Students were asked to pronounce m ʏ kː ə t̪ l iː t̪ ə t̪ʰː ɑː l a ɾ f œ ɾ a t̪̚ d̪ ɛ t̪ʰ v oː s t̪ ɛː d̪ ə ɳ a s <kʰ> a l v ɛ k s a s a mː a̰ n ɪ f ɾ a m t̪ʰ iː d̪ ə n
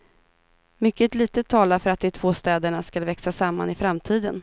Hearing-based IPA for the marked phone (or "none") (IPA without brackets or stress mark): k